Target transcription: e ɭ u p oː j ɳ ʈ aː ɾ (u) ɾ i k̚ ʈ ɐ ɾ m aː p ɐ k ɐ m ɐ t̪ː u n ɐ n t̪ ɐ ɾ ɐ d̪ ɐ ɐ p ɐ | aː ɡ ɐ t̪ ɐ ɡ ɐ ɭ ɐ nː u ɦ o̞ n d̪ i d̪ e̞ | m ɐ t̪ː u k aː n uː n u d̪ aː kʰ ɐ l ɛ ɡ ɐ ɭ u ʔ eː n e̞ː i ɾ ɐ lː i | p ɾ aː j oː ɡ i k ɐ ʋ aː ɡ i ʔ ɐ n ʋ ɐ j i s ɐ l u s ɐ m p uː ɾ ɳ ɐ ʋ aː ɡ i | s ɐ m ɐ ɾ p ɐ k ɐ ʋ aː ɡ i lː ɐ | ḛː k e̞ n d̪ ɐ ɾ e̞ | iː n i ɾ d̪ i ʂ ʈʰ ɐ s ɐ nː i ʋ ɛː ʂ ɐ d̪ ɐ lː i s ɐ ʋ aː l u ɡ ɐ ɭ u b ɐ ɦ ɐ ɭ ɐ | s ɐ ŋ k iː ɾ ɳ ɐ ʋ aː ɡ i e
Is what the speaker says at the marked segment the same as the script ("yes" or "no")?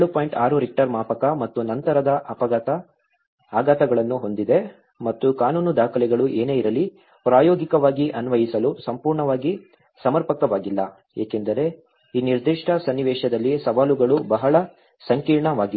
yes